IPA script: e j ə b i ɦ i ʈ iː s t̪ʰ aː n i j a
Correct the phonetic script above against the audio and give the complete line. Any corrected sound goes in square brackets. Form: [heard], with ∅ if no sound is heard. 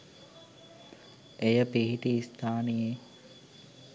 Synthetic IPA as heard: e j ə [p] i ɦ i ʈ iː s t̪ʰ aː n i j [e]

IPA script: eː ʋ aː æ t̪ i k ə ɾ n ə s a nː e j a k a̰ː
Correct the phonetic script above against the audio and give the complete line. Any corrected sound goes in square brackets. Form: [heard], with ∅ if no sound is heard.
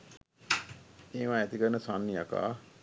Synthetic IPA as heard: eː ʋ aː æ t̪ i k ə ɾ n ə s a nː [i] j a k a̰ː

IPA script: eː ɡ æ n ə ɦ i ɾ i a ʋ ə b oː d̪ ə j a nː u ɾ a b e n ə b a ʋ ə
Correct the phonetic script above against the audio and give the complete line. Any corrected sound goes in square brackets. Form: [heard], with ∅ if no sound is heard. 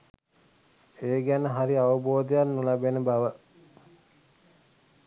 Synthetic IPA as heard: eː ɡ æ n ə ɦ [a] ɾ i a ʋ ə b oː d̪ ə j a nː u [l] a b e n ə b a ʋ ə

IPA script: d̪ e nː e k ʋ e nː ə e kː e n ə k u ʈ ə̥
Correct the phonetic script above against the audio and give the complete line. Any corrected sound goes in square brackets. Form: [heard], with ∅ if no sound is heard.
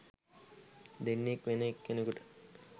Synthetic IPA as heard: d̪ e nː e k ʋ e [n] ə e kː e n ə k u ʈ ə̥

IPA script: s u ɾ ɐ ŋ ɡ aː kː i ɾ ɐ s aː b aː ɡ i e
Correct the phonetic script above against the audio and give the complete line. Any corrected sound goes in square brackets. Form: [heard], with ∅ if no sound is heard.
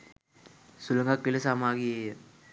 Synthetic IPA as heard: s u [l] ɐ ŋ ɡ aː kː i [l] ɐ s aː [m] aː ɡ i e

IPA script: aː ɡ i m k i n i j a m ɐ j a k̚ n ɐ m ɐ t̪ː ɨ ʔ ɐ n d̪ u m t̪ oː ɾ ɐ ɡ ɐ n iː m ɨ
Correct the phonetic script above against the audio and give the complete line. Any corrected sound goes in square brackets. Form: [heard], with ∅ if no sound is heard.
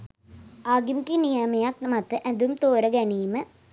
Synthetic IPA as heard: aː ɡ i m k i n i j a m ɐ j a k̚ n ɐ m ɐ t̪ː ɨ ʔ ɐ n d̪ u m t̪ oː ɾ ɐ ɡ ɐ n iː m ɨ

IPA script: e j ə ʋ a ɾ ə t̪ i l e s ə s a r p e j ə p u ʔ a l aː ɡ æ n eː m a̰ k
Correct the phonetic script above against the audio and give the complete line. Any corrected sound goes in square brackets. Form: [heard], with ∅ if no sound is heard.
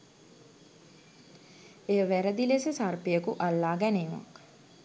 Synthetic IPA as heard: e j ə ʋ [æ] ɾ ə [d̪] i l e s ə s a r p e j ə [k] u ʔ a [lː] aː ɡ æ n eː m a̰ k

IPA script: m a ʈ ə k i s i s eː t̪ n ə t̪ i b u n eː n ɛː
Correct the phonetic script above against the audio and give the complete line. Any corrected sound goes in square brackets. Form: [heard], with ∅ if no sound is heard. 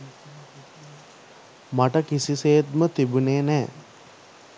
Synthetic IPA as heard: m a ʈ ə k i s i s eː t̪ [m] ə t̪ i b u n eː n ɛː

